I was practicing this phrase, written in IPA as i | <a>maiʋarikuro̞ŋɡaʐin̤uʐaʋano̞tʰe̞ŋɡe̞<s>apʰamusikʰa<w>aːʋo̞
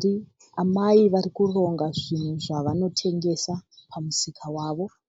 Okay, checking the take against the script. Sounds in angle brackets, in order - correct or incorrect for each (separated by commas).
correct, correct, correct